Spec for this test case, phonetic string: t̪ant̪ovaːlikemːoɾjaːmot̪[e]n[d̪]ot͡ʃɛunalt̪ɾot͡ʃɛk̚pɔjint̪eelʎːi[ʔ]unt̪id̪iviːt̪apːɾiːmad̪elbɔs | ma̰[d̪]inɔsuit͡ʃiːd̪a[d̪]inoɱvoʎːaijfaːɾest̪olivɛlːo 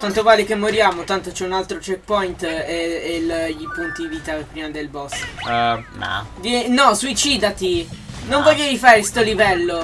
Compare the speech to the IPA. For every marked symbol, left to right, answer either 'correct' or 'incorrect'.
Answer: incorrect: a, incorrect: t̪, incorrect: p, correct, incorrect: t̪

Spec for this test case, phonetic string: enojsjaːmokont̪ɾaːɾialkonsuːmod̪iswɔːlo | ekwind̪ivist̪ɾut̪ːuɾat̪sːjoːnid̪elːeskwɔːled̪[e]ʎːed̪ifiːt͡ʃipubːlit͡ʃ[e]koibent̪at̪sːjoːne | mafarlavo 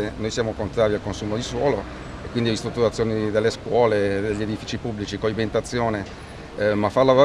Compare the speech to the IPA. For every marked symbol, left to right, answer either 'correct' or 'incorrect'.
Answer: correct, incorrect: i

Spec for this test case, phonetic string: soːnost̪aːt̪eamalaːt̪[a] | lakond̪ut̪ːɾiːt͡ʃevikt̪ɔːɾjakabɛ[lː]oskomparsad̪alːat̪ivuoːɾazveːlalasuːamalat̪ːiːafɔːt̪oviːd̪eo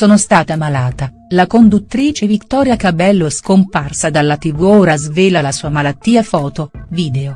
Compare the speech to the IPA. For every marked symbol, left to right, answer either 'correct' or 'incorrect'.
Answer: correct, correct

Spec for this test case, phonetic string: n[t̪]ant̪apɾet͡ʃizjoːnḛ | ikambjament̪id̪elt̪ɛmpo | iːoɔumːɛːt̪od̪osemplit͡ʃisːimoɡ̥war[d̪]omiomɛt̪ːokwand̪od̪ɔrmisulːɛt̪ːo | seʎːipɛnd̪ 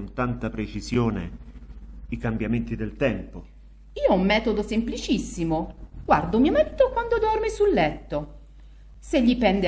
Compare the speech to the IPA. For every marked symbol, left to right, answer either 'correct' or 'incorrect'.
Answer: correct, correct

